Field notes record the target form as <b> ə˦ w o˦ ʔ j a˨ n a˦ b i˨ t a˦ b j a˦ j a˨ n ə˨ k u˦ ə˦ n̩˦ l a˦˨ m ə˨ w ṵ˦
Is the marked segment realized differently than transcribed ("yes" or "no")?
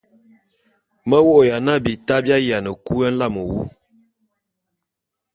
yes